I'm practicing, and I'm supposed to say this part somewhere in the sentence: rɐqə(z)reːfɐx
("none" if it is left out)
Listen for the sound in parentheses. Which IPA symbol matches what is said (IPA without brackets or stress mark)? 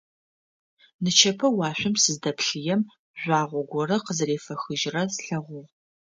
z